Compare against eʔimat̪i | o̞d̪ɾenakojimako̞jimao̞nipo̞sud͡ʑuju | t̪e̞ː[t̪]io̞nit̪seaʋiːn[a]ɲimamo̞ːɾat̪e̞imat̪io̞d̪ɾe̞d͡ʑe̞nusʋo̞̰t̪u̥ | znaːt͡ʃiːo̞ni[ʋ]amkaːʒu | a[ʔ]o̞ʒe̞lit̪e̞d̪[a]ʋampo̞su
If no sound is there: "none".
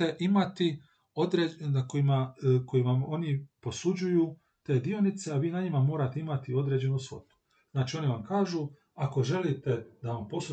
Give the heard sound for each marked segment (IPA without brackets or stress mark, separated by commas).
d̪, a, ʋ, k, a